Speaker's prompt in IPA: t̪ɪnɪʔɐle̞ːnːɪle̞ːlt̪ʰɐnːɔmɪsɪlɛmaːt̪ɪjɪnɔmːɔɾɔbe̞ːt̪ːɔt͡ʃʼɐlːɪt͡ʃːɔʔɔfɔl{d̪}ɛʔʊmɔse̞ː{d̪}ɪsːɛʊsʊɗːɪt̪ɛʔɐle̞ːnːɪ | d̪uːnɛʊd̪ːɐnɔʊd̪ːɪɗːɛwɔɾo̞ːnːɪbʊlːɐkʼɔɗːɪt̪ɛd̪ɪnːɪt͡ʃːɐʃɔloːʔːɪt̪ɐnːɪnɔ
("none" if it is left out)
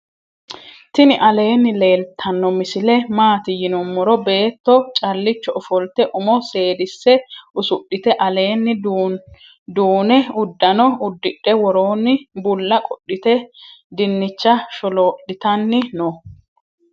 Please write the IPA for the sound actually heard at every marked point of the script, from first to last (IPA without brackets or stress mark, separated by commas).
t̪, d̪